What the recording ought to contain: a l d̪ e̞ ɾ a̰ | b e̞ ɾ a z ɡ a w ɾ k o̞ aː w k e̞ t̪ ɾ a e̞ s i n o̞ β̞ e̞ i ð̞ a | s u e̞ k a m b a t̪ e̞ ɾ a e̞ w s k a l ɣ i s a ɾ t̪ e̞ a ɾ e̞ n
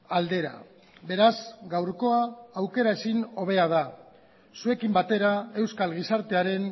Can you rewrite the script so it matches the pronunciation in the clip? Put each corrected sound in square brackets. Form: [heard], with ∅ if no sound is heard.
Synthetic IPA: a l d̪ e̞ ɾ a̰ | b e̞ ɾ a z ɡ a w ɾ k o̞ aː w k e̞ [∅] ɾ a e̞ s i n o̞ β̞ e̞ [a] ð̞ a | s u e̞ k [i] m b a t̪ e̞ ɾ a e̞ w s k a l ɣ i s a ɾ t̪ e̞ a ɾ e̞ n